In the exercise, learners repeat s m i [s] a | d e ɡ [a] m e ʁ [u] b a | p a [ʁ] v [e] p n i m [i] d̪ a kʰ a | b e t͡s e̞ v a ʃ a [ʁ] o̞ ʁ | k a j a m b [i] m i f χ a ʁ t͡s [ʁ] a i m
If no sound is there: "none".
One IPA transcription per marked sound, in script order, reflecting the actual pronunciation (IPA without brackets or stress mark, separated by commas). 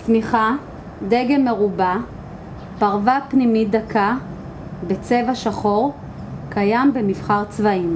χ, e, u, ʁ, a, i, χ, e, v